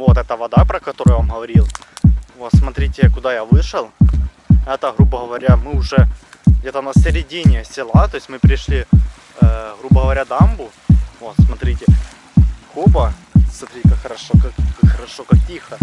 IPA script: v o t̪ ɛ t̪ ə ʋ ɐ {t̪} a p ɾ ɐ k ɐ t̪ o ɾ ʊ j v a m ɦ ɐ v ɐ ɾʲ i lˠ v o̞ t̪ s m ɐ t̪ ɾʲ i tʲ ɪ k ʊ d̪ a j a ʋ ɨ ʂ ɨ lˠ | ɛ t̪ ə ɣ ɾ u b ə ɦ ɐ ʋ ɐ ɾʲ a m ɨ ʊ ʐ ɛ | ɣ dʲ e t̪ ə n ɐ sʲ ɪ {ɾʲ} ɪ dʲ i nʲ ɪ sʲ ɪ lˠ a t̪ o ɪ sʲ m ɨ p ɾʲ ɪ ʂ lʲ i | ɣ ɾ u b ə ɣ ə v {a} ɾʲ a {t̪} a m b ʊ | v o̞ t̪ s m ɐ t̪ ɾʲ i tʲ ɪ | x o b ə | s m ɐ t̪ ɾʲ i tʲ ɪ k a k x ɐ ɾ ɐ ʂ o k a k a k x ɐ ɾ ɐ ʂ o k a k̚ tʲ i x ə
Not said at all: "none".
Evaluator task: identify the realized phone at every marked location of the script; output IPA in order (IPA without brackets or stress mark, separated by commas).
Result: d̪, ɾʲ, ɐ, d̪